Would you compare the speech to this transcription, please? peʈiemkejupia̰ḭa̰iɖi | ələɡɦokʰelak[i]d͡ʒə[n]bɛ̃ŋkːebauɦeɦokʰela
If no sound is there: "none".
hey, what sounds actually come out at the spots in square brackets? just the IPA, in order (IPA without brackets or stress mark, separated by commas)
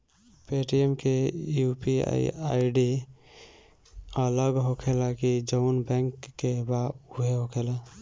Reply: i, n